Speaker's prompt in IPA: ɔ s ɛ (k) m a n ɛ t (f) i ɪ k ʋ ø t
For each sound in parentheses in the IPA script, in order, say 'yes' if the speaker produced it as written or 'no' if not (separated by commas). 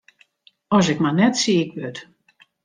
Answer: yes, no